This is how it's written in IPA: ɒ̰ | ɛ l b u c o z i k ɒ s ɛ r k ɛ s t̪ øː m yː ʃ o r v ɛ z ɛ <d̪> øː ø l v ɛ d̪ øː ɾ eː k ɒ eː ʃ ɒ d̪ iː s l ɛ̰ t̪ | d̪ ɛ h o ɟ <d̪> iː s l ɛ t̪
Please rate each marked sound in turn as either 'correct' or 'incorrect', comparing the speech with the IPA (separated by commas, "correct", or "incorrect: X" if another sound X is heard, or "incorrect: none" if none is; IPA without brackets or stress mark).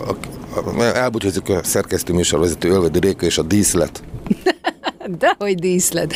incorrect: t̪, correct